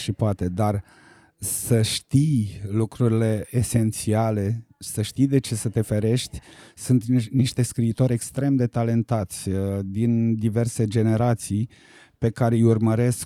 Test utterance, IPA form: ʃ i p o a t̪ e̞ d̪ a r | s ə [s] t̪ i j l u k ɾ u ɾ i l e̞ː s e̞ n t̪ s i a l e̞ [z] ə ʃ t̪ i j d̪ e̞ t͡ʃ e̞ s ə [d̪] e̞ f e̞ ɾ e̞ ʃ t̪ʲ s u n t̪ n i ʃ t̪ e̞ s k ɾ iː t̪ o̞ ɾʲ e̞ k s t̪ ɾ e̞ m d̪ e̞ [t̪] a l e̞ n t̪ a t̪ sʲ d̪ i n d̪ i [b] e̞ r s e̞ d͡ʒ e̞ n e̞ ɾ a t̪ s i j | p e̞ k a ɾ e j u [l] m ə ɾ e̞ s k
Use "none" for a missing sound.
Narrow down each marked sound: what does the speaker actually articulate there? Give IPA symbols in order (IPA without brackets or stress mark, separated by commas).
ʃ, s, t̪, t̪, v, r